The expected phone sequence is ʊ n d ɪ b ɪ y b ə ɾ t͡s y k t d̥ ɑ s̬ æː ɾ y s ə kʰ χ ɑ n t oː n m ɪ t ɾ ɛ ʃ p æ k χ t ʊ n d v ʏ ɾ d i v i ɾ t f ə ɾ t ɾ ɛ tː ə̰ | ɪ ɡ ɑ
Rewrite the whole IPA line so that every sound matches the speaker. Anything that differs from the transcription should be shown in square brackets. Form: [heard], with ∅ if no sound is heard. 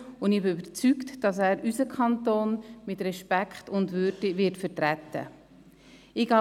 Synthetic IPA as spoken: ʊ n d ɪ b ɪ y b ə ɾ t͡s y k t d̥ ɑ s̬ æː ɾ y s ə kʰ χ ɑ n t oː n m ɪ t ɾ ɛ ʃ p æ k χ t ʊ n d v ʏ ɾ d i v [ɪ] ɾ t f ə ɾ t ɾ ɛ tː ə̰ | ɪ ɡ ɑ